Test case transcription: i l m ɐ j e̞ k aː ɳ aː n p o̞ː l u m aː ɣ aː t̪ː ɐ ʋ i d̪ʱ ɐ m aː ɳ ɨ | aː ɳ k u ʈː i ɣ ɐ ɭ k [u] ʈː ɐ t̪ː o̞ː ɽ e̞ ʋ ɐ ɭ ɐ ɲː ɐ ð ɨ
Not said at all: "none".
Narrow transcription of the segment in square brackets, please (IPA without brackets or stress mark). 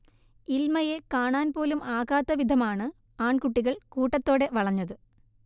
uː